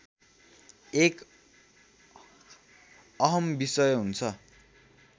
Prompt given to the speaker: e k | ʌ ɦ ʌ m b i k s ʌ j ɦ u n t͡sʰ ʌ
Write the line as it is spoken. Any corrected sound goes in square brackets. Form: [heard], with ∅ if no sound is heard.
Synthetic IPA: e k | ʌ ɦ ʌ m b i [∅] s ʌ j ɦ u n t͡sʰ ʌ